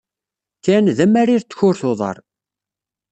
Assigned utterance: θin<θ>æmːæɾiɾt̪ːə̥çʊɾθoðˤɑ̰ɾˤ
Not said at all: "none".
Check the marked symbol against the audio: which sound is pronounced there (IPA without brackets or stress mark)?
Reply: ð